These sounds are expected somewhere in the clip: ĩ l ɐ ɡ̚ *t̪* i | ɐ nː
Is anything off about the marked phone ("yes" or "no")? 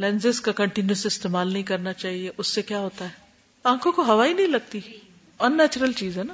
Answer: no